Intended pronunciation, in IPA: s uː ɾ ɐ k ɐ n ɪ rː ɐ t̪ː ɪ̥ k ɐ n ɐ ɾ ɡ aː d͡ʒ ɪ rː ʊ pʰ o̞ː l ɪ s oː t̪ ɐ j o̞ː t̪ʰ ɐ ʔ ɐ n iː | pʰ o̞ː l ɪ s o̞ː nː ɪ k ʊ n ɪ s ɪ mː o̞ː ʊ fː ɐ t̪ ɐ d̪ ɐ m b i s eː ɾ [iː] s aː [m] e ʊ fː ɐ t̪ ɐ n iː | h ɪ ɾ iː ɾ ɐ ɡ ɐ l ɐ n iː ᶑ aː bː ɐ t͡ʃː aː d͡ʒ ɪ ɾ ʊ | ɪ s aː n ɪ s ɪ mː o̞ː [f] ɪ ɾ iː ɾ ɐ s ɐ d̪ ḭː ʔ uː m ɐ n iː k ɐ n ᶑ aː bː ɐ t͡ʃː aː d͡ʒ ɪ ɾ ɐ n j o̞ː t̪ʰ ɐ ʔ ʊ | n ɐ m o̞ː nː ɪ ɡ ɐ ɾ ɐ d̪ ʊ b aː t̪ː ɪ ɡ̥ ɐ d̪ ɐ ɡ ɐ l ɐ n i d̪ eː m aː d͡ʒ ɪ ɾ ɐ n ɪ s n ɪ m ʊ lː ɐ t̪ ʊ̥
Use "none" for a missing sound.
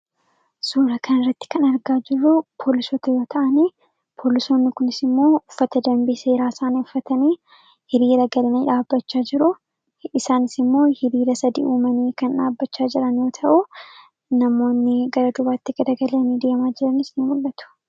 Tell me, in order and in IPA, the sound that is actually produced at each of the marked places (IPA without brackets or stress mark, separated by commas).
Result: aː, n, h